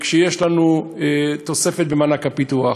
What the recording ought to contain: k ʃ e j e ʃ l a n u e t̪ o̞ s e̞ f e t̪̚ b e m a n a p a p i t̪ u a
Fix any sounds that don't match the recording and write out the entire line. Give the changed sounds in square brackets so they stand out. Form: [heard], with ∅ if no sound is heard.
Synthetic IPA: k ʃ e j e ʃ l a n u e t̪ o̞ s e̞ f e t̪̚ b e m a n a [k] a p i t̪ u a